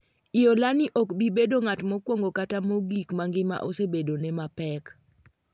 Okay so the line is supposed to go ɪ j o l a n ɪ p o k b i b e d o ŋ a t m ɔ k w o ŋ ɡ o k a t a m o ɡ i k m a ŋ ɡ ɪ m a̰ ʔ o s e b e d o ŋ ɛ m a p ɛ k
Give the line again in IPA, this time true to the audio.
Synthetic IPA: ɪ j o l a n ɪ ʔ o k b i b e d o ŋ a t m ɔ k w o ŋ ɡ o k a t a m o ɡ i k m a ŋ ɡ ɪ m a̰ ʔ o s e b e d o n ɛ m a p ɛ k